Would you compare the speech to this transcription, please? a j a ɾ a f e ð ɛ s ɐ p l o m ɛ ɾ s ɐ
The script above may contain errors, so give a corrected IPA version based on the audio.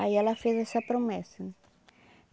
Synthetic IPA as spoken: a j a l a f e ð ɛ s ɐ p ɾ o m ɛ s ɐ